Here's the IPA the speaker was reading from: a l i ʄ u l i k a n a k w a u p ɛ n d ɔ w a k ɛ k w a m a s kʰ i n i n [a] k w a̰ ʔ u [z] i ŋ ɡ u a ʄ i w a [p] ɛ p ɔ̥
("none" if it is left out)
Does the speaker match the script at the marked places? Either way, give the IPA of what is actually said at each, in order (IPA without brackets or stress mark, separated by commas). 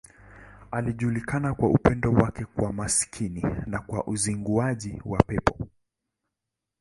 a, z, p